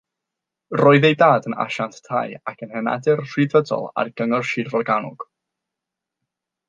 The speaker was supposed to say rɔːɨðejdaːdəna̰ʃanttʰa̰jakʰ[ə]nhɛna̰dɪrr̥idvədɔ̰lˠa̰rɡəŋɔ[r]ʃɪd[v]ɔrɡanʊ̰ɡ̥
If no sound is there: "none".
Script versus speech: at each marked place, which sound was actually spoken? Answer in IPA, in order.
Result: ə, r, v

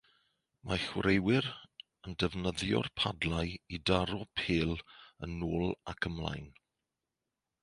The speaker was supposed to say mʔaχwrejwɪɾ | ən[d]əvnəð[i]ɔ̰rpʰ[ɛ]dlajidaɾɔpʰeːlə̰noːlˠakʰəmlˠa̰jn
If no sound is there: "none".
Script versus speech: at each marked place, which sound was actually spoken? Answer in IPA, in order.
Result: d, j, a

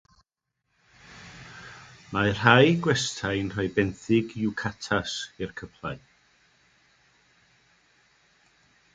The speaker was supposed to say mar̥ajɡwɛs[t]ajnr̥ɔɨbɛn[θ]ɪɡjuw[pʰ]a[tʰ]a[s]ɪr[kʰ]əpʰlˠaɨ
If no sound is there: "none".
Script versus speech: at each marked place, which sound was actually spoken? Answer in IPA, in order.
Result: tʰ, θ, kʰ, tʰ, s, kʰ

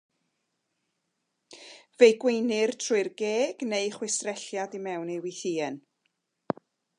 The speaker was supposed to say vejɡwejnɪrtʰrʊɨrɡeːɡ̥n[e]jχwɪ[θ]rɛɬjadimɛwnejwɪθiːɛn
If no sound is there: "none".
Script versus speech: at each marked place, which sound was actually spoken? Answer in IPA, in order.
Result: e, s

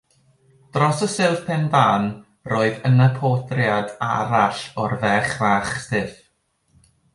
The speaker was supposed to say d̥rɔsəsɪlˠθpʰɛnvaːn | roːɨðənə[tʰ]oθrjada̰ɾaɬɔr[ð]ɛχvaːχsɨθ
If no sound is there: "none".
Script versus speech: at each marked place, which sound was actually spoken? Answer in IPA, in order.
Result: pʰ, v

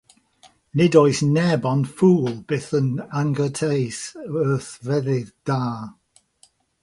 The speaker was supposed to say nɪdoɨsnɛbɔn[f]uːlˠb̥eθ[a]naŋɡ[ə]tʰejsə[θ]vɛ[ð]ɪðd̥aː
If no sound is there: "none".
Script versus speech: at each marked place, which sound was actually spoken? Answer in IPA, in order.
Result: f, ə, ə, θ, ð

